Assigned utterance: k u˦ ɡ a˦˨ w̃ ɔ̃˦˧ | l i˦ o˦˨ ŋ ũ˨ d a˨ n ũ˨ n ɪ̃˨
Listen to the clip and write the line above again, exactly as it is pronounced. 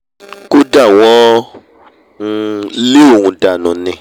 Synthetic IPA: k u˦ d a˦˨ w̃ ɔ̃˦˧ | l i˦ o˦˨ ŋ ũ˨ d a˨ n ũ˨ n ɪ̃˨

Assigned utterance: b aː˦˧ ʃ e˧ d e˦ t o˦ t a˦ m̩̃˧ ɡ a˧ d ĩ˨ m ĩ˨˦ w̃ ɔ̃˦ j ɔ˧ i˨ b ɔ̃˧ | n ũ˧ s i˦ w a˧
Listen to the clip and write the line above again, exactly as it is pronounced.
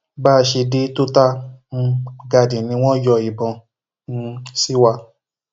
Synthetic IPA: b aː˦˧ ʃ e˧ d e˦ t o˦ t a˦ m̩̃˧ ɡ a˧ d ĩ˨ n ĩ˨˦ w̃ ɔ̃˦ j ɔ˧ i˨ b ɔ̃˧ | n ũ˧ s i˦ w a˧

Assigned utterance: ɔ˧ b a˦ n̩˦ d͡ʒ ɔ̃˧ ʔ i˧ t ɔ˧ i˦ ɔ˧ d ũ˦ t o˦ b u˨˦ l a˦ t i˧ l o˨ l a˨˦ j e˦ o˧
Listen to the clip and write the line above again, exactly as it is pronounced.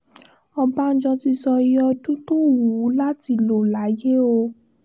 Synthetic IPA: ɔ˧ b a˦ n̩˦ d͡ʒ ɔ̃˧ t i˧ s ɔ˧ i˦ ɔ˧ d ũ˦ t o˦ w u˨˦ l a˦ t i˧ l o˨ l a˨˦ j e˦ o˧

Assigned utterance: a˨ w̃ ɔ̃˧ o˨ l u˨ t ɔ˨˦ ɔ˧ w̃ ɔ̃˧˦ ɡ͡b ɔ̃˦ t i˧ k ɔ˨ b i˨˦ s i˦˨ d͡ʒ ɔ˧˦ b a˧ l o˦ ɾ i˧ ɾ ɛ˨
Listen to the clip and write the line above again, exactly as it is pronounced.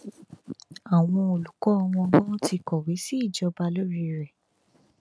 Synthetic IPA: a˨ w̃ ɔ̃˧ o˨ l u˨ k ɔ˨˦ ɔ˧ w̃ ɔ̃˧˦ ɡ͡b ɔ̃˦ t i˧ k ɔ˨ w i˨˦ s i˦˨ d͡ʒ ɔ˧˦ b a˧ l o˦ ɾ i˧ ɾ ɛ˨

